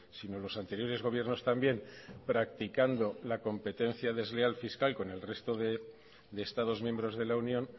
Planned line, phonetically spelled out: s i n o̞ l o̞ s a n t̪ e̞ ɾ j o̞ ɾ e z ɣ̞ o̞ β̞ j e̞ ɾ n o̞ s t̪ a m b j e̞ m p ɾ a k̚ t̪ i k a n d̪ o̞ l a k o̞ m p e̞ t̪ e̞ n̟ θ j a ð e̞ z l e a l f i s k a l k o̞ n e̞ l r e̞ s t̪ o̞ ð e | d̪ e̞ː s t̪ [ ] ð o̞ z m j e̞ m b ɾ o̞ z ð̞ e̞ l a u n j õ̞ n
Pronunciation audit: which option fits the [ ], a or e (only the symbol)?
a